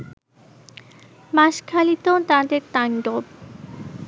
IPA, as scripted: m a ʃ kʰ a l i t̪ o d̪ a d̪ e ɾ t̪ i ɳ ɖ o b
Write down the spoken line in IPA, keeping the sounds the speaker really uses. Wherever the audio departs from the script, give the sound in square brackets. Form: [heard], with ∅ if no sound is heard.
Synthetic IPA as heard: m a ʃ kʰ a l i t̪ o [t̪] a d̪ e ɾ t̪ [a] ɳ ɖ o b